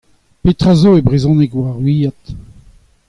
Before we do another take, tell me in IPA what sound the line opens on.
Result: p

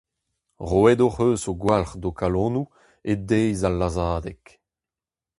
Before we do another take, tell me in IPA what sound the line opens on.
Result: ʁ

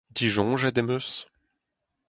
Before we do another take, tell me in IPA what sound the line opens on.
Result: d̪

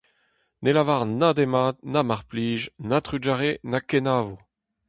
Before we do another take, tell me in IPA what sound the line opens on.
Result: n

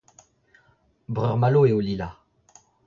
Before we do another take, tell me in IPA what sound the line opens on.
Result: b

